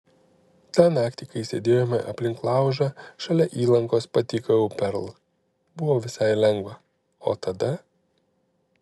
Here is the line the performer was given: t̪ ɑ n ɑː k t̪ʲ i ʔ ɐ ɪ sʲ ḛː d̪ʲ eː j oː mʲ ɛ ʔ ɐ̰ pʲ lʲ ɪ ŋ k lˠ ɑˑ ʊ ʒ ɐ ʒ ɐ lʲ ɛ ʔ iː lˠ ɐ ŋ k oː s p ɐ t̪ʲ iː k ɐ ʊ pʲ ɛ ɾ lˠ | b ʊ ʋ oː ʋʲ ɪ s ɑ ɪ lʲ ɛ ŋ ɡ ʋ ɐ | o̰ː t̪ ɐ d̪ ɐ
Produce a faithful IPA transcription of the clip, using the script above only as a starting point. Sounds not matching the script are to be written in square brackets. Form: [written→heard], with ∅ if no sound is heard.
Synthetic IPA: t̪ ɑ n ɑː k t̪ʲ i [ʔ→k] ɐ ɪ sʲ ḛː d̪ʲ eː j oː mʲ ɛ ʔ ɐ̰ pʲ lʲ ɪ ŋ k lˠ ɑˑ ʊ ʒ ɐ [ʒ→ʃ] ɐ lʲ ɛ ʔ iː lˠ ɐ ŋ k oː s p ɐ t̪ʲ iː k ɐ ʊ pʲ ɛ ɾ lˠ | b ʊ ʋ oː ʋʲ ɪ s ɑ ɪ lʲ ɛ ŋ ɡ ʋ ɐ | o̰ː t̪ ɐ d̪ ɐ